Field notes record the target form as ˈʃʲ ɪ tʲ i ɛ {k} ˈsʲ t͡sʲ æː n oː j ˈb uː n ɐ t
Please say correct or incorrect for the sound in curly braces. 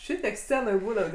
correct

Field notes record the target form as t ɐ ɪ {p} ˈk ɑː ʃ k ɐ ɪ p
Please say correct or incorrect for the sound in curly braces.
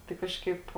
incorrect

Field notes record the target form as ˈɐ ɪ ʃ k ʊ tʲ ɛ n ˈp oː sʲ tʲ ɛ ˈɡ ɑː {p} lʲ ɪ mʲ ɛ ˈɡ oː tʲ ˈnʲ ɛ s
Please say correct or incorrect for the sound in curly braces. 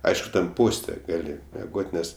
incorrect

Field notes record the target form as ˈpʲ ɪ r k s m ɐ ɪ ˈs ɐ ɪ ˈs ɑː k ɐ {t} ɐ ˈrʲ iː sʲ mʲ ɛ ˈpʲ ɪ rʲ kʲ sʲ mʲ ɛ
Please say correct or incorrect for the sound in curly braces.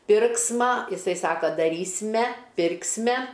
incorrect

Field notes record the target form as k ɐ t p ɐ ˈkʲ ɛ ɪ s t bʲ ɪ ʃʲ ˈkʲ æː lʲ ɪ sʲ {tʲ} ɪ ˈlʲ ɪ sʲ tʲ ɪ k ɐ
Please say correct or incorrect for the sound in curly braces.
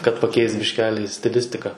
correct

